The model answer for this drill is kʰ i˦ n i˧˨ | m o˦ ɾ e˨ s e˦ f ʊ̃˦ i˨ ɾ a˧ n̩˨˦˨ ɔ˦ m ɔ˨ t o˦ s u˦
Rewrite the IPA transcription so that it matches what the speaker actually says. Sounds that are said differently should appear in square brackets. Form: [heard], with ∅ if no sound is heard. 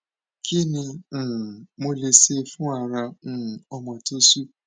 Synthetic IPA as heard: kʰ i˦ n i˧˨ | m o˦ [l] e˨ s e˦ f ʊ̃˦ [a˨] ɾ a˧ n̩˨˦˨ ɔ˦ m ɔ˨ t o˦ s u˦

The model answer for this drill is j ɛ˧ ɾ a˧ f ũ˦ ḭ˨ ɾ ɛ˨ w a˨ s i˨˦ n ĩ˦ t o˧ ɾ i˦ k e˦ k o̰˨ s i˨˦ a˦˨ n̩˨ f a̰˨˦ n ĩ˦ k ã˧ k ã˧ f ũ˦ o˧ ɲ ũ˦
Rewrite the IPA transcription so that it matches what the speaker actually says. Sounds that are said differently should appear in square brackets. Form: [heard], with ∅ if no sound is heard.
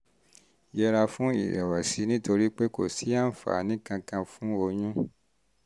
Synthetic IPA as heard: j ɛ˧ ɾ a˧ f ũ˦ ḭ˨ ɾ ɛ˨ w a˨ s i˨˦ n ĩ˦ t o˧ ɾ i˦ [k͡p] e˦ k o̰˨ s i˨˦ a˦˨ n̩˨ f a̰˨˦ n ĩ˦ k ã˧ k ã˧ f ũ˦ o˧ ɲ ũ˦

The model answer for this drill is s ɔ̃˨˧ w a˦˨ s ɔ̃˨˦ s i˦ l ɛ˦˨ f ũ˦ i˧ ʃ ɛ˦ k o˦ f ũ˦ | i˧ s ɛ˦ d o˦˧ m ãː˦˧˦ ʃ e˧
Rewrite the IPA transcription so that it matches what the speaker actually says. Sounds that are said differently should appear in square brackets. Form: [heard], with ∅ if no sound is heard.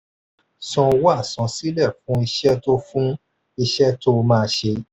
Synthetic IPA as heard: s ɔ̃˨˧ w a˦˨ s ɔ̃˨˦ s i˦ l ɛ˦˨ f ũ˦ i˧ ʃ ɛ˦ [t] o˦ f ũ˦ | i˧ [ʃ] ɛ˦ [t] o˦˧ m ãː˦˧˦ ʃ e˧

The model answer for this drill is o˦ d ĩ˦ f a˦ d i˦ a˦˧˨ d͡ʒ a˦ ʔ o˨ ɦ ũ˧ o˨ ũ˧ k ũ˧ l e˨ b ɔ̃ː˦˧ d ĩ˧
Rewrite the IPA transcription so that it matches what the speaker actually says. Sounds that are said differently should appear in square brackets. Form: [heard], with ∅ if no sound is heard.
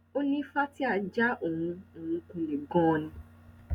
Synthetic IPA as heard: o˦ [n] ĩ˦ f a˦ [t] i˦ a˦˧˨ d͡ʒ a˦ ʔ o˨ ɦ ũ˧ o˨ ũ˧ k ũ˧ l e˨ [ɡ] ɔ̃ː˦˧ [n] ĩ˧

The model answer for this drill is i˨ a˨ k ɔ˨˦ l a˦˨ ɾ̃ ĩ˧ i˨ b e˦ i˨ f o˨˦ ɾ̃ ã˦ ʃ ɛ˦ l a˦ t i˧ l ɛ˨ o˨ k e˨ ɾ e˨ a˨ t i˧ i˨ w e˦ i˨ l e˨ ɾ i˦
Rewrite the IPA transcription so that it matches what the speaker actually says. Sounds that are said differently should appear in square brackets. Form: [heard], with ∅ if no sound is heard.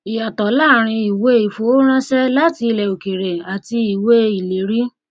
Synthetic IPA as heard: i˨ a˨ [t] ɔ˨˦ l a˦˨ ɾ̃ ĩ˧ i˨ [w] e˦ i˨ f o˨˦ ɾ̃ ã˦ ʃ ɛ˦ l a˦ t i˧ l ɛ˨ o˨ k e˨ ɾ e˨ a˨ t i˧ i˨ w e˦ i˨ l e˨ ɾ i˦

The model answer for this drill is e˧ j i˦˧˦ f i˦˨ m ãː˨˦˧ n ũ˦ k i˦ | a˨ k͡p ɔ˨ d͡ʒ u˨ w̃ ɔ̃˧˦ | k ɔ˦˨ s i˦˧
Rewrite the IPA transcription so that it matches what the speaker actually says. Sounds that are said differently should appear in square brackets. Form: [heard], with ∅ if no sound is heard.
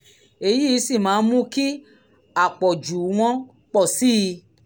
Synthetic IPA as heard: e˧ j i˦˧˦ [s] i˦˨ m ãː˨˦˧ [m] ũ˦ k i˦ | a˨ k͡p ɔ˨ d͡ʒ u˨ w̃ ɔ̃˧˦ | [k͡p] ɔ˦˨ s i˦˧

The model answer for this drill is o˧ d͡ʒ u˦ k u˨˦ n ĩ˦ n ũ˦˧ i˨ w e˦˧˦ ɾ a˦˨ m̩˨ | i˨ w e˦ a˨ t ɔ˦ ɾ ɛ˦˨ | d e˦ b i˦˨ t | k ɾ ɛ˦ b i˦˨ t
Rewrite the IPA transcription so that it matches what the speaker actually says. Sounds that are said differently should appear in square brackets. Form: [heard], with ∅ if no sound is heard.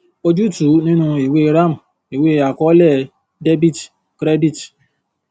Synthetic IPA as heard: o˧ d͡ʒ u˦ [t] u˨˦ n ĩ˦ n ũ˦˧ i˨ w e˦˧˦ ɾ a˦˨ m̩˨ | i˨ w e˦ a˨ [k] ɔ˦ [l] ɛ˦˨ | d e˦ b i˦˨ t | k ɾ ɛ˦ b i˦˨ t

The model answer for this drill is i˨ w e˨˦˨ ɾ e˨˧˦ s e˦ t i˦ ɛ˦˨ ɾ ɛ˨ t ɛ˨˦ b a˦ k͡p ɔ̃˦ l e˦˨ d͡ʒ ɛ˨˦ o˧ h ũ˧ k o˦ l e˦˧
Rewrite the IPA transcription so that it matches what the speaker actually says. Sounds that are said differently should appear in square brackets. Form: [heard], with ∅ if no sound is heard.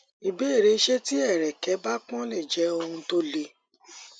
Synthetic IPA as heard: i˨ [b] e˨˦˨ ɾ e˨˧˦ [ʃ] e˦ t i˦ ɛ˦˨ ɾ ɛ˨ [k] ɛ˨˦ b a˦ k͡p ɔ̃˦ l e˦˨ d͡ʒ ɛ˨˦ o˧ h ũ˧ [t] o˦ l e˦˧

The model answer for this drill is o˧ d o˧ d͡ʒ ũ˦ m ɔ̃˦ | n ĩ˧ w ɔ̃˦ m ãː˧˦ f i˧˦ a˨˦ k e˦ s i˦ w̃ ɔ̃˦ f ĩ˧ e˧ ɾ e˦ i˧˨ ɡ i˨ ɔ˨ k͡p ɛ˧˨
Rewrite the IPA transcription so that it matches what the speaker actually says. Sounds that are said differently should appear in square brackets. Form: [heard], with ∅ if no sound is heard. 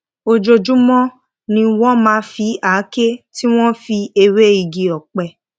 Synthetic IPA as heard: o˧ [d͡ʒ] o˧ d͡ʒ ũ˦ m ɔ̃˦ | n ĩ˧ w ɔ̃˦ m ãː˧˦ f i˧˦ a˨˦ k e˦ [t] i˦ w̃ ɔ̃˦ f [i˧] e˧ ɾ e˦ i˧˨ ɡ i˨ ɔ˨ k͡p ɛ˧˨

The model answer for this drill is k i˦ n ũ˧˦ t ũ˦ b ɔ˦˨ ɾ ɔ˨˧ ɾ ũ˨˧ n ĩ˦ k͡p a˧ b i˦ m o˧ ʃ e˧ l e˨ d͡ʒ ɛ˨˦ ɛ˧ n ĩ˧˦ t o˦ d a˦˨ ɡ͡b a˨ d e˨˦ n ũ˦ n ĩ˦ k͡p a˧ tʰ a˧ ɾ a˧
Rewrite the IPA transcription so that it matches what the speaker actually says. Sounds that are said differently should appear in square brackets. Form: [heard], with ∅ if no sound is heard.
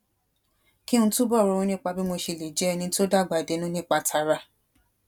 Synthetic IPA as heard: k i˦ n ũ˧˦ t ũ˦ b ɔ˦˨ ɾ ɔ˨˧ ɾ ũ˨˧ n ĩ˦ k͡p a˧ b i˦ m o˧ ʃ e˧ l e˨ d͡ʒ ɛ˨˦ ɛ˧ n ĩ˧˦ t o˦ d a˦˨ ɡ͡b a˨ d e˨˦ n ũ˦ n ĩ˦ k͡p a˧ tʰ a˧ ɾ a˧

